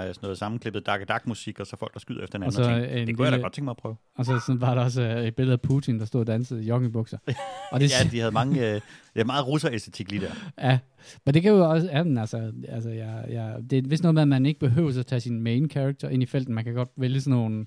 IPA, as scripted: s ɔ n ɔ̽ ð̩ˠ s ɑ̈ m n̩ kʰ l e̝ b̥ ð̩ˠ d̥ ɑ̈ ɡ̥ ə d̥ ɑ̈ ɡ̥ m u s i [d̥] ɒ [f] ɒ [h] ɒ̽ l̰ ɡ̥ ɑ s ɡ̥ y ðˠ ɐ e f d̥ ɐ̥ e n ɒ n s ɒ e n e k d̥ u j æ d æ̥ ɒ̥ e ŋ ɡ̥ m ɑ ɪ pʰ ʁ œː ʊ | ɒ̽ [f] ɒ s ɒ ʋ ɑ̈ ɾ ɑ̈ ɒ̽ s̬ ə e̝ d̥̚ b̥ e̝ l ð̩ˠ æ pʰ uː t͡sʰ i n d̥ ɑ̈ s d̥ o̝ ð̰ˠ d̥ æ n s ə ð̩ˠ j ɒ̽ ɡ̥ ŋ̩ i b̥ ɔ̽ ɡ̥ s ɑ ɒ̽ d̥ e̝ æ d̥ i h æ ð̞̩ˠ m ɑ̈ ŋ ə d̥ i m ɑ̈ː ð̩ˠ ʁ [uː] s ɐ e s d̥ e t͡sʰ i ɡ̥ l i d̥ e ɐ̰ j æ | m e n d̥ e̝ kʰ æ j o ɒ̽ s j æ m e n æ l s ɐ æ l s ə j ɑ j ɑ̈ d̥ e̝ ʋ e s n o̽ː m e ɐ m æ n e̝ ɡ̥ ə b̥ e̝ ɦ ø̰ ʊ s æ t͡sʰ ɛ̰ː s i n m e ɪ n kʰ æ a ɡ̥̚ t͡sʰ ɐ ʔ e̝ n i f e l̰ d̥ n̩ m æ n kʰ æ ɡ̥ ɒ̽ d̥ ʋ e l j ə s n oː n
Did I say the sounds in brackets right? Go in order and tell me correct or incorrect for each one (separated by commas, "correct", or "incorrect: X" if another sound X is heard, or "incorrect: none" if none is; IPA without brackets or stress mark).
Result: incorrect: ɡ̥, incorrect: s, incorrect: f, incorrect: s, incorrect: u